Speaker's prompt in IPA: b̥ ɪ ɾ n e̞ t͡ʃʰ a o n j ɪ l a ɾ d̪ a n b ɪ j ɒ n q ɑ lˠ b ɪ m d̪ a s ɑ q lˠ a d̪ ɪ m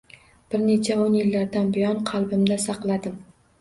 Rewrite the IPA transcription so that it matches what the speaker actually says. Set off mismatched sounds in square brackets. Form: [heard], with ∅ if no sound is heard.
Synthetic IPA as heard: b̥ ɪ ɾ n e̞ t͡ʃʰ a o n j ɪ [lː] a ɾ d̪ a n b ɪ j ɒ n [qʰ] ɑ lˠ b ɪ m d̪ a s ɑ q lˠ a d̪ ɪ m